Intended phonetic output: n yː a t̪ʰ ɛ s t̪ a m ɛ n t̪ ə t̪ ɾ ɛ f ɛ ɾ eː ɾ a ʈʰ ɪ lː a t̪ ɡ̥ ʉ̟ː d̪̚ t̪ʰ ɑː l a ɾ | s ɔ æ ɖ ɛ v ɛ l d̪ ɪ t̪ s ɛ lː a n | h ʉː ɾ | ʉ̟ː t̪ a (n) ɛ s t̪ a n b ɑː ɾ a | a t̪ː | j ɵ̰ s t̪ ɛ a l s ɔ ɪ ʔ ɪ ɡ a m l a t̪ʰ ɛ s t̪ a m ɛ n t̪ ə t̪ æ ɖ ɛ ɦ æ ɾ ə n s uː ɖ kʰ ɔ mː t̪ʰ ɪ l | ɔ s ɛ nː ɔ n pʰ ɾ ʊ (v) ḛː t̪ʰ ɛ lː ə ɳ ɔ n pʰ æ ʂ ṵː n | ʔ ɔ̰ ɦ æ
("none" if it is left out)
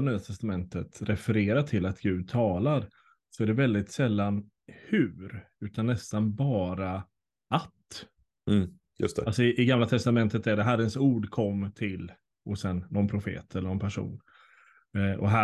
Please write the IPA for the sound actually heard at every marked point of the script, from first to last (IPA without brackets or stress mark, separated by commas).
nː, f